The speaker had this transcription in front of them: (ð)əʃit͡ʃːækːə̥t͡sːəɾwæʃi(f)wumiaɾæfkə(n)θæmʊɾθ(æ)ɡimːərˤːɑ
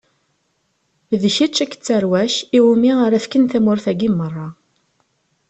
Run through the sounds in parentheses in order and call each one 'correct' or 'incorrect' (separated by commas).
correct, incorrect, correct, correct